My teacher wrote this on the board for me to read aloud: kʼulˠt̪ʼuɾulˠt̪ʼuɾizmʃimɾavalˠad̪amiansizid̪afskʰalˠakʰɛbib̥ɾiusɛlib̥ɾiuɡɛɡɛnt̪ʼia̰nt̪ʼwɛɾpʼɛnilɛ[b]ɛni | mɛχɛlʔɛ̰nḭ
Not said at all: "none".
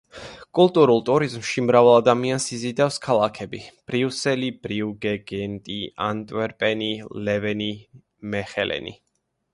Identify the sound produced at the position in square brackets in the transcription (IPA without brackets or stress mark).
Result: v